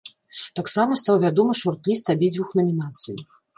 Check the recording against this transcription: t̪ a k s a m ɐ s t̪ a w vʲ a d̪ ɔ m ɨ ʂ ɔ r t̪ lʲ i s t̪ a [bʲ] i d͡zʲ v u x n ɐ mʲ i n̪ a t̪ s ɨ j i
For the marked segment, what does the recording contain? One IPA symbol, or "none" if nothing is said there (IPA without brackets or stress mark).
bʲ